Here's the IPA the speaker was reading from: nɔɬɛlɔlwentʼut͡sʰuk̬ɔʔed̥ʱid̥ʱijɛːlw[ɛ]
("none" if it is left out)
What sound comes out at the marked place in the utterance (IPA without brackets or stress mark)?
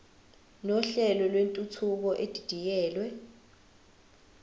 ɛ